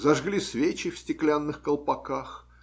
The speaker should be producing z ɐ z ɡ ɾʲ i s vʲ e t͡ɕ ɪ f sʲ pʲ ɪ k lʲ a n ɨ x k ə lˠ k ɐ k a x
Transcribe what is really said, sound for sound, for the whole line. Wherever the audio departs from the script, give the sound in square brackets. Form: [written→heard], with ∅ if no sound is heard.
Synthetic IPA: z ɐ [z→ʐ] ɡ [ɾʲ→lʲ] i s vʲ e t͡ɕ ɪ f sʲ [pʲ→tʲ] ɪ k lʲ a [n→nː] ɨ x k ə lˠ [k→p] ɐ k a x